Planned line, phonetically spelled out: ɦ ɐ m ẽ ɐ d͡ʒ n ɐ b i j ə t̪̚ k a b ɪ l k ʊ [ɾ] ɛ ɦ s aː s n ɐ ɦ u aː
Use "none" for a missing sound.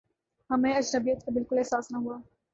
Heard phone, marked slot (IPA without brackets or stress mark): l